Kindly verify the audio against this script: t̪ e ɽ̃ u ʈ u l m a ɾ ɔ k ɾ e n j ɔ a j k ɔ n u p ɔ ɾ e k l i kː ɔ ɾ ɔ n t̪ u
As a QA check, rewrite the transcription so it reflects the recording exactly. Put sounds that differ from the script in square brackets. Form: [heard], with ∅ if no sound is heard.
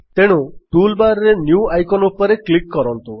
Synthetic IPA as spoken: t̪ e ɽ̃ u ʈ u l [b] a ɾ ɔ [∅] ɾ e n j [u] a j k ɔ n u p ɔ ɾ e k l i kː ɔ ɾ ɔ n t̪ u